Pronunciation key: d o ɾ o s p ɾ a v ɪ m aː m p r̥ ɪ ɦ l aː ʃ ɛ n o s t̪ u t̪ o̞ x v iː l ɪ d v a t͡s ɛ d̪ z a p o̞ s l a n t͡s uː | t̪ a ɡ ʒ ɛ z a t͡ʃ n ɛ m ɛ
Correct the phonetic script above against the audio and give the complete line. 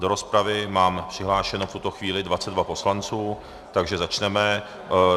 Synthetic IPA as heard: d o ɾ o s p ɾ a v ɪ m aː m p r̥ ɪ ɦ l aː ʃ ɛ n o f t̪ u t̪ o̞ x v iː l ɪ d v a t͡s ɛ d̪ v a p o̞ s l a n t͡s uː | t̪ a ɡ ʒ ɛ z a t͡ʃ n ɛ m ɛ